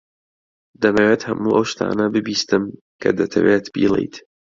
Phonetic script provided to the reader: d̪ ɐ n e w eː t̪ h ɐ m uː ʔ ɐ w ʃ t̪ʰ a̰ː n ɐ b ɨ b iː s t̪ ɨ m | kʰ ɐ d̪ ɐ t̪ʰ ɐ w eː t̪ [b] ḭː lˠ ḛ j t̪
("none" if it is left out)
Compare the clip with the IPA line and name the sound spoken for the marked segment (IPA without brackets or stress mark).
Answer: b